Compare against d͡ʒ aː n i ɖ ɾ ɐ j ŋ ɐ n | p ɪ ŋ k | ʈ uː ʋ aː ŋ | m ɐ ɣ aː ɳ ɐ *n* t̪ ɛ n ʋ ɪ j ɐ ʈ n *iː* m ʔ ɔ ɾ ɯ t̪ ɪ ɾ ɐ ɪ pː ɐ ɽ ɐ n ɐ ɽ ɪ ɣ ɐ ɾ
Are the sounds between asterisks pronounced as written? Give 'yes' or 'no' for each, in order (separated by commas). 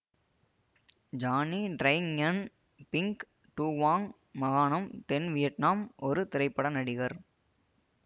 no, no